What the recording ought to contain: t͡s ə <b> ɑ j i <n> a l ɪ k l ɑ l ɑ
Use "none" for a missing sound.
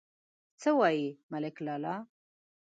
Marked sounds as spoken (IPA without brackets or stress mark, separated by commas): w, m